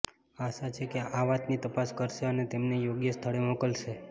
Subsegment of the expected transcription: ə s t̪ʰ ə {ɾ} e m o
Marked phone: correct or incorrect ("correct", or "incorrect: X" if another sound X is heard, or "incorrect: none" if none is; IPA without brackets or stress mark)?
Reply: incorrect: ɭ